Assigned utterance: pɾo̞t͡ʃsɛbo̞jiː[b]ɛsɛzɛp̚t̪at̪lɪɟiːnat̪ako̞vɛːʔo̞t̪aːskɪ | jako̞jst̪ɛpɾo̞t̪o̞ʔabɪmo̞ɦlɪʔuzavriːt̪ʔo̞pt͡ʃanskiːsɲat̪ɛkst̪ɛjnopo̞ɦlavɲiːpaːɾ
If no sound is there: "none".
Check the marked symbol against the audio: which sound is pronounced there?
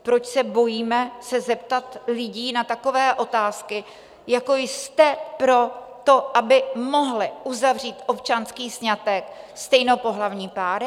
m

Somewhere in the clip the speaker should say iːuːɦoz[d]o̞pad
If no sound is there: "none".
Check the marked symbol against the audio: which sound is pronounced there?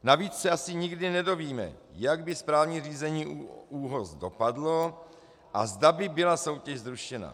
d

